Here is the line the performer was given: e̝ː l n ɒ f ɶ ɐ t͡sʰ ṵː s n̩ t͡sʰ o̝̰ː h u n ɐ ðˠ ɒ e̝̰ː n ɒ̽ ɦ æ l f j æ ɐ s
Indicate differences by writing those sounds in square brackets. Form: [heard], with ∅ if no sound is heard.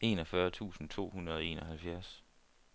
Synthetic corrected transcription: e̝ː [∅] n ɒ f ɶ ɐ t͡sʰ ṵː s n̩ t͡sʰ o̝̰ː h u n ɐ ðˠ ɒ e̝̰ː n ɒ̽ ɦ æ l f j æ ɐ s